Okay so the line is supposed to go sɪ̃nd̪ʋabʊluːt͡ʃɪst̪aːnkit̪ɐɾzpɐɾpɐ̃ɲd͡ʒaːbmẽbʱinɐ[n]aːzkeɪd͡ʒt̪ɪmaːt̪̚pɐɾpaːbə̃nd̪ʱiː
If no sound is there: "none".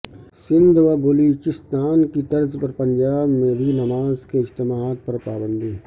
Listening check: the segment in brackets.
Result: m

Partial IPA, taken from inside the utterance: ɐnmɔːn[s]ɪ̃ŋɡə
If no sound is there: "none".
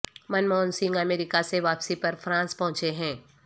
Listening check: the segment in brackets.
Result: s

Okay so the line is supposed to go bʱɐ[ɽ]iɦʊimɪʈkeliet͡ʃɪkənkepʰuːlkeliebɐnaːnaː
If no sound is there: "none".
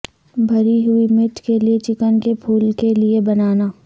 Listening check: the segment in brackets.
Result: ɾ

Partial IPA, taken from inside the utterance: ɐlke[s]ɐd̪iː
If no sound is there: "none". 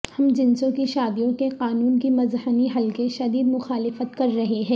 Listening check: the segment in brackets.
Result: ʃ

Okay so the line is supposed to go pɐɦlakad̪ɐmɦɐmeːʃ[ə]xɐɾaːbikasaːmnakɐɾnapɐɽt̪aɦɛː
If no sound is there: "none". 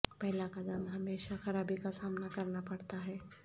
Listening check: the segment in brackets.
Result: a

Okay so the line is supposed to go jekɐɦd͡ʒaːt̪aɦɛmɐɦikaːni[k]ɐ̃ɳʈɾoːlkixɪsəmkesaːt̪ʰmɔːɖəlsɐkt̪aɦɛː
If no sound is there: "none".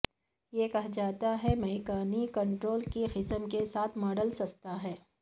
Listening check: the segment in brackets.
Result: k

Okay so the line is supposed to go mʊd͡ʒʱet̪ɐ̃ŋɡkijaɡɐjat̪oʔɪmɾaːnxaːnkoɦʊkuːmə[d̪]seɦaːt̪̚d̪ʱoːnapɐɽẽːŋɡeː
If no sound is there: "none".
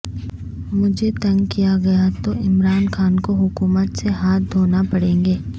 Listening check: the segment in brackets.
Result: t̪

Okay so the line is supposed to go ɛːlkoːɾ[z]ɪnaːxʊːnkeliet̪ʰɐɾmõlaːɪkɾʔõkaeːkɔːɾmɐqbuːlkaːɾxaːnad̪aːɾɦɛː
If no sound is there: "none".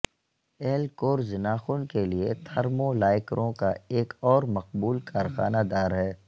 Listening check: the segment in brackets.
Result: z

